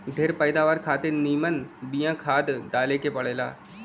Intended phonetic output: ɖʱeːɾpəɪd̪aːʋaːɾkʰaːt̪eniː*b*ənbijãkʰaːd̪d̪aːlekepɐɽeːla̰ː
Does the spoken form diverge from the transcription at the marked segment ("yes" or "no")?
yes